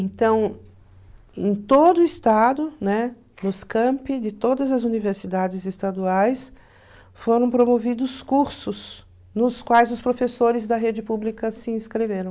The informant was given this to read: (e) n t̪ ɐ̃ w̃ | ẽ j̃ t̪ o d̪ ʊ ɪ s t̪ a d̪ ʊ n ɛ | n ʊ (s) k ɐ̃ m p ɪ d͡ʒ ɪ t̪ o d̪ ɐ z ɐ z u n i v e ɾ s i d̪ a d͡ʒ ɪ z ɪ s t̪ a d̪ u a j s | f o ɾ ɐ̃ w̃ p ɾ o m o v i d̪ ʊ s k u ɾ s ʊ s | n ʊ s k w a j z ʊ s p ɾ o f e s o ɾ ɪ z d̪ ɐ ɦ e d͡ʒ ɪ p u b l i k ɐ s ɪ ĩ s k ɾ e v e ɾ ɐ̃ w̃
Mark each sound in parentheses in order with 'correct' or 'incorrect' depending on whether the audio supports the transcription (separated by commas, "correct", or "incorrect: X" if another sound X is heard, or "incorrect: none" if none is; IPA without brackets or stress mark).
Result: incorrect: ẽ, correct